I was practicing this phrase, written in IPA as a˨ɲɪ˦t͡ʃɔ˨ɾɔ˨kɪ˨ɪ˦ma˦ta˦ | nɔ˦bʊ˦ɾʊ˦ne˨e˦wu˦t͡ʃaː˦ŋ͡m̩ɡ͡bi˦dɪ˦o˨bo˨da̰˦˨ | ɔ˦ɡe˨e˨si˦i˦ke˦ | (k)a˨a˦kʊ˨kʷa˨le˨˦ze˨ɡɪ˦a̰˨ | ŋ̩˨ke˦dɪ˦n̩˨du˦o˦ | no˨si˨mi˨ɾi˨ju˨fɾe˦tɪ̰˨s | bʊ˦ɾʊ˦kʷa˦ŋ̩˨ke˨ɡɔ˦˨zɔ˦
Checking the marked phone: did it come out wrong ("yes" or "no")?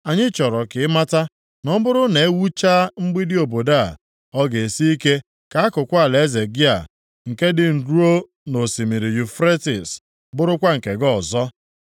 no